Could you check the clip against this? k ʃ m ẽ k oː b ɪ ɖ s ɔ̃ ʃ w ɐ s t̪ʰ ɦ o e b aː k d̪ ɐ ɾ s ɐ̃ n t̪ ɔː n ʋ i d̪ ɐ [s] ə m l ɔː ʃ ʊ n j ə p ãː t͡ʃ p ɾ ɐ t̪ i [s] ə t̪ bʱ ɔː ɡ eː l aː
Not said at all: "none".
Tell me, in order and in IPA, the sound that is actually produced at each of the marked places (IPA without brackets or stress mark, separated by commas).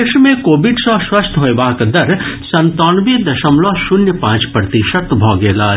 ʃ, ʃ